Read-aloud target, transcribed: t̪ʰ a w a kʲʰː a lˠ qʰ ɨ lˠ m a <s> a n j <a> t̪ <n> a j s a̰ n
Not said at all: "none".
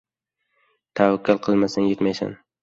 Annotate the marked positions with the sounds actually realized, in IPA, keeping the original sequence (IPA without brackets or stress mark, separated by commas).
s, e, m